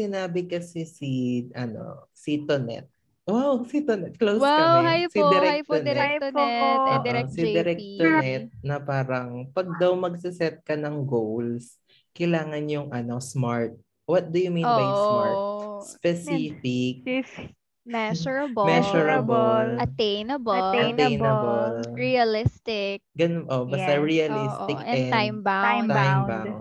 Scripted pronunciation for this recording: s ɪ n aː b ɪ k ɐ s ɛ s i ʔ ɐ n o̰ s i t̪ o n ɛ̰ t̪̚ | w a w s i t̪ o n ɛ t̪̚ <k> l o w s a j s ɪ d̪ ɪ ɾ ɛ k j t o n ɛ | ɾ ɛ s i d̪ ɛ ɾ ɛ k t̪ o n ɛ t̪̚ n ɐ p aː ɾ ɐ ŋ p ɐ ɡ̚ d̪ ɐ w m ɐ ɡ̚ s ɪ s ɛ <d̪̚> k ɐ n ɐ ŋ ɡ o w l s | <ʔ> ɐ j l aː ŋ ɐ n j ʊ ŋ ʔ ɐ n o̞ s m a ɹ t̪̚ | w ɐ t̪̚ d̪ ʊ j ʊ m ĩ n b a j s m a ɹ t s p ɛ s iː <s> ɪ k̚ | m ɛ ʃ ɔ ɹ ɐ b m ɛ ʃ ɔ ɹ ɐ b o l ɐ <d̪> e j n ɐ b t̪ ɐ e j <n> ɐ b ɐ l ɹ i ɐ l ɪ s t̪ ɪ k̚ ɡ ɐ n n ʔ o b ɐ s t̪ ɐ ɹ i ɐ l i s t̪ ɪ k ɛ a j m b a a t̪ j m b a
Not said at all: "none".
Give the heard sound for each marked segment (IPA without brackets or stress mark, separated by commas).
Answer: k, t̪̚, k, f, t̪, n